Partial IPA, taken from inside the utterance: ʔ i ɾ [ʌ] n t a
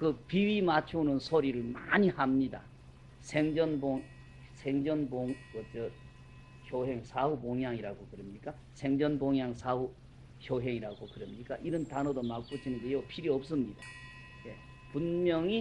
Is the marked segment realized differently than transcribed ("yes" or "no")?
no